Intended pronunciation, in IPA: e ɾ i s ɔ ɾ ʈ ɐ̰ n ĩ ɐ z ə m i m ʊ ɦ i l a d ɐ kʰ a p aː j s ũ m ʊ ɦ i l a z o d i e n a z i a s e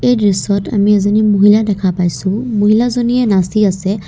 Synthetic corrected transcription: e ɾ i s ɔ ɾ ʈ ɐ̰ m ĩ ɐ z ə n i m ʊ ɦ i l a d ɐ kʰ a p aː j s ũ m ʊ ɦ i l a z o n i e n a s i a s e